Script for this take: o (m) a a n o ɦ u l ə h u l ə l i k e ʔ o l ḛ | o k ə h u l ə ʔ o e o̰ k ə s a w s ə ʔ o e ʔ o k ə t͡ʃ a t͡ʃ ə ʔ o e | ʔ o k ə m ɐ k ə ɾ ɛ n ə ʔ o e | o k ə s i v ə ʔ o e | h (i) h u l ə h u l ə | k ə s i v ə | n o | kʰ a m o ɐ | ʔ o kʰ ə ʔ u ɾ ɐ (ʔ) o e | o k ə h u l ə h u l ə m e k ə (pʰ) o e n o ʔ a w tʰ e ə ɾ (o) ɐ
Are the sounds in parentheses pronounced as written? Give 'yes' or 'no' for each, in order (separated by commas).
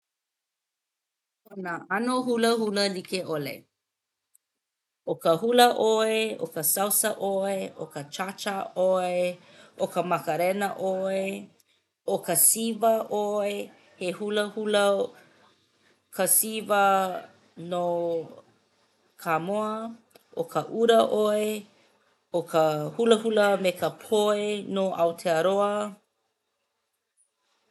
no, no, yes, yes, yes